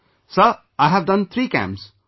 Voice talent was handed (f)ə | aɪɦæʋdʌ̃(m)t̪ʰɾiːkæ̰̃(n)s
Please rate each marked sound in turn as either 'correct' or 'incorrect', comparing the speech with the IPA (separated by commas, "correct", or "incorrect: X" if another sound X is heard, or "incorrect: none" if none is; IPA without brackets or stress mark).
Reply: incorrect: s, incorrect: n, incorrect: m